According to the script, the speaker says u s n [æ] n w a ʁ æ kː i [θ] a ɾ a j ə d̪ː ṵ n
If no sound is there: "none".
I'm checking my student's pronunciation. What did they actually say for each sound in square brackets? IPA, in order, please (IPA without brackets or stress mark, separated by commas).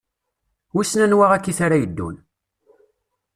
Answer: æ, θ